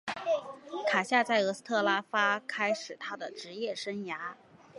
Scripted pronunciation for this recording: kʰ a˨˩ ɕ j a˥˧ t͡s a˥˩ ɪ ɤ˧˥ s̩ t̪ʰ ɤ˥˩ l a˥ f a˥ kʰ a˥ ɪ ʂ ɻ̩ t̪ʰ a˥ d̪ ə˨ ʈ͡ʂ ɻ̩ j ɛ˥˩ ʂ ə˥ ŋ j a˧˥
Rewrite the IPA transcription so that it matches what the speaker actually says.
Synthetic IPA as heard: kʰ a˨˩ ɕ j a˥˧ t͡s a˥˩ ɪ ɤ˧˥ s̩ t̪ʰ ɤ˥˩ l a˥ f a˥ kʰ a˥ ɪ ʂ ɻ̩ t̪ʰ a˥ d̪ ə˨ ʈ͡ʂ ɻ̩ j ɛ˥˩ ʂ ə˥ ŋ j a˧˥